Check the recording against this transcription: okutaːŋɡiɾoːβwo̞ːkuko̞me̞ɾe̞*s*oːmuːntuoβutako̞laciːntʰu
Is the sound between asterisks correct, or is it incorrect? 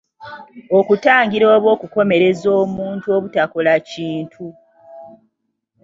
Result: incorrect: z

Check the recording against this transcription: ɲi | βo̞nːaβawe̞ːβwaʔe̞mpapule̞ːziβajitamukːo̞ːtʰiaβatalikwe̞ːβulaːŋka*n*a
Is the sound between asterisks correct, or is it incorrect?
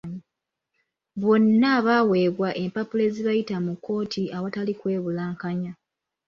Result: incorrect: ɲ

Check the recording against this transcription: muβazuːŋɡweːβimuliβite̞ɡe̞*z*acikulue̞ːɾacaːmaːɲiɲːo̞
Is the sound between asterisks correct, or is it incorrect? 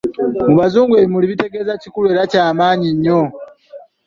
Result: correct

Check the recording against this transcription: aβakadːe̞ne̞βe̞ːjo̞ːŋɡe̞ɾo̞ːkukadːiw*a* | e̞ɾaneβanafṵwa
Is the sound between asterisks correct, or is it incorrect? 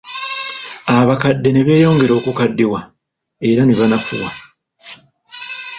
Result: correct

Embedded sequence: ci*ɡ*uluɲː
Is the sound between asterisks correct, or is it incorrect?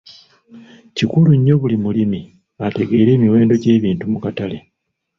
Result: incorrect: k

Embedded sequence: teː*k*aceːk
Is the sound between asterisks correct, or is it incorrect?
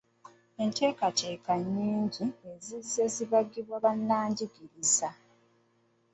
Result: correct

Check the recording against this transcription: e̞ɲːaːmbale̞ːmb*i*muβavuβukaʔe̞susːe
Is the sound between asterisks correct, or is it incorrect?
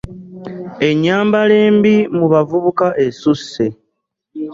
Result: correct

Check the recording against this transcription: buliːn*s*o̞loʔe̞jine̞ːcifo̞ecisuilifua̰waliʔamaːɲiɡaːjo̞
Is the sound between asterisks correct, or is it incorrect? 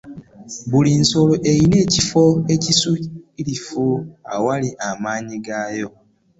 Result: correct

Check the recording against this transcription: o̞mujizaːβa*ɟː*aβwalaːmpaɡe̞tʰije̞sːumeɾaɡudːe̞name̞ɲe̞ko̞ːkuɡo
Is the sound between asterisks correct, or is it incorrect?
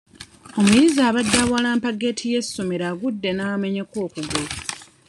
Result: incorrect: dː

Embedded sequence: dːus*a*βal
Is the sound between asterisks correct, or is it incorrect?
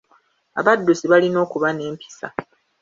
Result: incorrect: i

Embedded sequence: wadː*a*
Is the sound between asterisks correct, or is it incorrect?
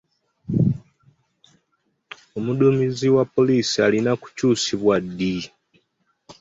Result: incorrect: i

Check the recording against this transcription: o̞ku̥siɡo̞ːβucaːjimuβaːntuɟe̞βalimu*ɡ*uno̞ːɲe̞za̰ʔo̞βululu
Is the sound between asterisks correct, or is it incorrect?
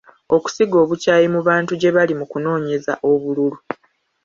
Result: incorrect: k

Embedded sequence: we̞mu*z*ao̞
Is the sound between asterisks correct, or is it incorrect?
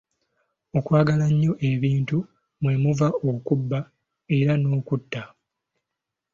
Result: incorrect: v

